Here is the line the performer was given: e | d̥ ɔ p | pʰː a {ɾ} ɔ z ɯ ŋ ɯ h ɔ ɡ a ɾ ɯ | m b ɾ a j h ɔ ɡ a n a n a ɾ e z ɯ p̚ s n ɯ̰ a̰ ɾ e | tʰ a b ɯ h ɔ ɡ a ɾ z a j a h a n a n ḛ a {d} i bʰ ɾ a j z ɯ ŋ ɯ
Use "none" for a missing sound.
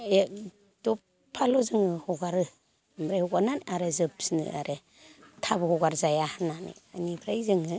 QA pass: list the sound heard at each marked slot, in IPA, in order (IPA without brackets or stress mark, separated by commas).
l, n